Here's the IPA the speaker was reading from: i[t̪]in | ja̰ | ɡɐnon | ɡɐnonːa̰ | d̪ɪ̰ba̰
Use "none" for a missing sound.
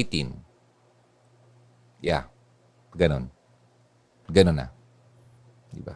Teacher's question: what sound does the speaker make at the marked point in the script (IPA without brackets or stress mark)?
t̪